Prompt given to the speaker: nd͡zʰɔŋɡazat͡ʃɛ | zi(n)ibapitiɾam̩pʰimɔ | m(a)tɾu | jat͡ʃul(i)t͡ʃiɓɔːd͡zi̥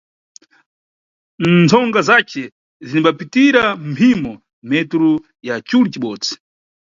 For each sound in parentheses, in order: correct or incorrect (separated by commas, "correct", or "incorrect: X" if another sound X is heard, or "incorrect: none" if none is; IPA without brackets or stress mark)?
correct, incorrect: ɛ, correct